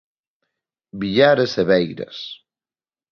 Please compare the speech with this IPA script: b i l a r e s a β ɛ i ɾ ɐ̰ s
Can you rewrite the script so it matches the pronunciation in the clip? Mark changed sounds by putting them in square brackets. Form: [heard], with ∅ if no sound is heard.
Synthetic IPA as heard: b i [ʎ] a [ɾ] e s [e] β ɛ [j] ɾ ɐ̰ s